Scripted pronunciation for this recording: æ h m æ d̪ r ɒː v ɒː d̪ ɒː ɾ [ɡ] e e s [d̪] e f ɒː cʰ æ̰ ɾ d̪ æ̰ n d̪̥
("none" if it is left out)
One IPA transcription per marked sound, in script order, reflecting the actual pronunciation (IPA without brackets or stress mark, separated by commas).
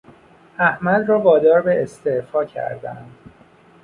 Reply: b, t̪